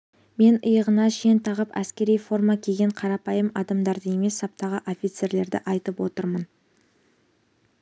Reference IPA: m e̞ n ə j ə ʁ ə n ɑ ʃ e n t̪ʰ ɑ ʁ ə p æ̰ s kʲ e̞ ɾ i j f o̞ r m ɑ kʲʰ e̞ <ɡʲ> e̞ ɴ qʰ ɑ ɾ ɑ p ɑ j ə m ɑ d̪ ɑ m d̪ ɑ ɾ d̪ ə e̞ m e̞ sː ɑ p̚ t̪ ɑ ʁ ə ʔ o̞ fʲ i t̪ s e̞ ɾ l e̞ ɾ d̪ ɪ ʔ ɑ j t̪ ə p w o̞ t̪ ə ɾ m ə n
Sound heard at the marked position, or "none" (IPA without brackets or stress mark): ɡʲ